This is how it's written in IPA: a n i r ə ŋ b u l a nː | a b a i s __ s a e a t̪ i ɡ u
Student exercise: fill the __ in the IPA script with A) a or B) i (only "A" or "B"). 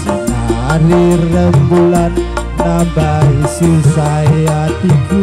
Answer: B